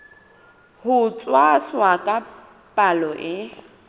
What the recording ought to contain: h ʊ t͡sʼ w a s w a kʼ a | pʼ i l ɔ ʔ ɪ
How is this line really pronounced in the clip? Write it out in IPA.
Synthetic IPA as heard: h ʊ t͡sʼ w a s w a kʼ a | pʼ a l ɔ ʔ ɪ